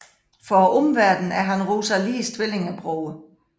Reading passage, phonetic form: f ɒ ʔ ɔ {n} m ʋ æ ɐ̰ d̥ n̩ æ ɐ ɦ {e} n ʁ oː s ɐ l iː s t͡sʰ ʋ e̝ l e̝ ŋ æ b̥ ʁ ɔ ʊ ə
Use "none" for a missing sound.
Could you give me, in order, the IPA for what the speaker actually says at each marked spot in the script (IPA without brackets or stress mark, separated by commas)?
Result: none, æ